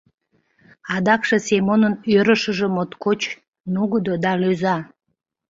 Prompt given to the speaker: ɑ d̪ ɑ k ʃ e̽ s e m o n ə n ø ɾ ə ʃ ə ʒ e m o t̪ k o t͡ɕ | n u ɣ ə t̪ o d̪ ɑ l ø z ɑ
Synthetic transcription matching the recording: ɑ d̪ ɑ k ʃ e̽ s e m o n ə n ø ɾ ə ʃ ə ʒ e m o t̪ k o t͡ɕ | n u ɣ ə d̪ o d̪ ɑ l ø z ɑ

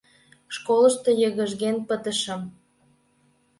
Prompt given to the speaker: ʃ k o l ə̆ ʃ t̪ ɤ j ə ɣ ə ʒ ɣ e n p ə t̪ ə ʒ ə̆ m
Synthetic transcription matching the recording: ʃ k o l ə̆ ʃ t̪ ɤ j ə ɣ ə ʒ ɣ e n p ə t̪ ə ʃ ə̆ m

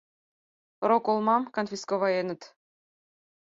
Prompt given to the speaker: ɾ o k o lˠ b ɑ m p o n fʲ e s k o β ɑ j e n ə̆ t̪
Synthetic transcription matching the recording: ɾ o k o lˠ m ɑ m k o n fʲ i s k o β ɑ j e n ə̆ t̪

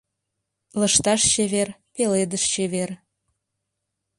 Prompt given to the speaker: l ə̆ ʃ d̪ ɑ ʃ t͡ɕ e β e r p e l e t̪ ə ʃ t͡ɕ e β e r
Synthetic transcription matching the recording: l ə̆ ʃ t̪ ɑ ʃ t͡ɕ e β e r p e l e d̪ ə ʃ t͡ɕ e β e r

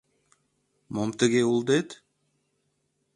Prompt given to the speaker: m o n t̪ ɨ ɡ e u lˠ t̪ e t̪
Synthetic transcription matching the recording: m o m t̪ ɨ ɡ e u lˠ d̪ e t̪

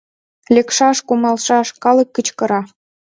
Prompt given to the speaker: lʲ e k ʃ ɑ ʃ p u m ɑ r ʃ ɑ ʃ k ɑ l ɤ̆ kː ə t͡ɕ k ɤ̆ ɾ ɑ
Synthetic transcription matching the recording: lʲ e k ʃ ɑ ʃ k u m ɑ l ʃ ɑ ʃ k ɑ l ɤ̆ kː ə t͡ɕ k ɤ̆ ɾ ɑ

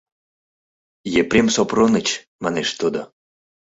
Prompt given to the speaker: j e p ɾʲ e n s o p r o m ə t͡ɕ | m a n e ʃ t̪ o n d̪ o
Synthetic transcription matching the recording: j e p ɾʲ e m s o p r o n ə t͡ɕ | m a n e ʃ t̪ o d̪ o

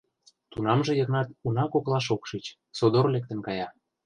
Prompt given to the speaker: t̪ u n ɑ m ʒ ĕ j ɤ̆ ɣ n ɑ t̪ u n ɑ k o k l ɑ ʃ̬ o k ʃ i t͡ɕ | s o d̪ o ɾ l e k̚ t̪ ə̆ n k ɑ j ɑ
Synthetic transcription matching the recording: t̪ u n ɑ m ʒ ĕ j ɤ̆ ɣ n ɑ t̪ u n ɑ k o k l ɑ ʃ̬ o k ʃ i t͡ɕ | s o d̪ o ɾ l e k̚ t̪ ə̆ n k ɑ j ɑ

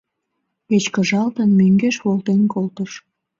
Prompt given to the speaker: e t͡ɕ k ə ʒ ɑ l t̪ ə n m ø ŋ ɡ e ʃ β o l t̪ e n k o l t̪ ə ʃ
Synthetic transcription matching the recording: e t͡ɕ k ə ʒ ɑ l t̪ ə n m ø ŋ ɡ e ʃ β o l t̪ e n k o l t̪ ə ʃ

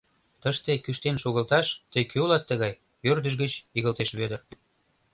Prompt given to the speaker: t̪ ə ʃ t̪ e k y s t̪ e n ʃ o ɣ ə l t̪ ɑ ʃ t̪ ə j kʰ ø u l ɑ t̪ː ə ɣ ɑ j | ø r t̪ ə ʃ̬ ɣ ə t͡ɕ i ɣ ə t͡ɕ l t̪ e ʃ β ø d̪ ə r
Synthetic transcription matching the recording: t̪ ə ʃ t̪ e k y ʃ t̪ e n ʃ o ɣ ə l t̪ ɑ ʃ t̪ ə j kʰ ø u l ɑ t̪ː ə ɣ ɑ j | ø r d̪ ə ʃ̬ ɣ ə t͡ɕ i ɣ ə l t̪ e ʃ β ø d̪ ə r

